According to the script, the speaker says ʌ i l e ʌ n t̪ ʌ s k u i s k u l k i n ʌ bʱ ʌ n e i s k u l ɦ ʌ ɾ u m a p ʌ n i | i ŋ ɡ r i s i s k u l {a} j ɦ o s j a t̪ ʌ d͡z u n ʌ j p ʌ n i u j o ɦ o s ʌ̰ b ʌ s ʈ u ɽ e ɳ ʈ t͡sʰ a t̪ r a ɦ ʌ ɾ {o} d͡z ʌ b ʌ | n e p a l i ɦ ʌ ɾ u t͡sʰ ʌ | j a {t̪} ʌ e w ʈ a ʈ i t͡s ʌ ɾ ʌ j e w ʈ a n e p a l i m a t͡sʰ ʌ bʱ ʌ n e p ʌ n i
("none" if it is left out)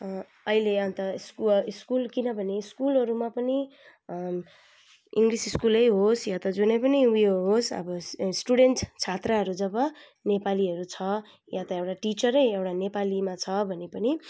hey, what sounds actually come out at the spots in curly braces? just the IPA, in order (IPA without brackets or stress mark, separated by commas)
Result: ʌ, u, t̪